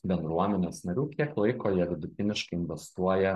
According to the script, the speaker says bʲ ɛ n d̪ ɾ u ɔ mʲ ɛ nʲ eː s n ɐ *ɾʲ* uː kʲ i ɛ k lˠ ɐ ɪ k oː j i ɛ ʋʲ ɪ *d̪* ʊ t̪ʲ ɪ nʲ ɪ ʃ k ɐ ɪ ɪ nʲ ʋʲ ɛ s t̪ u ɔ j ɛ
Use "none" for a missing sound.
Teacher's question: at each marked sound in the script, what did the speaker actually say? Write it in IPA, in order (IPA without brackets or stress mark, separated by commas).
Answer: ɾʲ, d̪